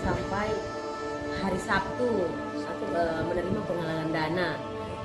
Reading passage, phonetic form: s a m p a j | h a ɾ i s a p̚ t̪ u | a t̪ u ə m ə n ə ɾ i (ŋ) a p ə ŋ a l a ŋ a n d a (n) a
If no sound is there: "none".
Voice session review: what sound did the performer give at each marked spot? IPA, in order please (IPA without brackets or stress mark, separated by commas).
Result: m, n